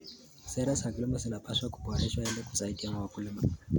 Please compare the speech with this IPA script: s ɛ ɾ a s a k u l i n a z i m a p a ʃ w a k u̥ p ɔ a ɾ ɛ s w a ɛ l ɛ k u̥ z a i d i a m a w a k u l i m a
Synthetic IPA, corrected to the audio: s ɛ ɾ a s a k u l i m a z i n a p a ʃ w a k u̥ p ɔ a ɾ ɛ ʃ w a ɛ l ɛ k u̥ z a i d i a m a w a k u l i m a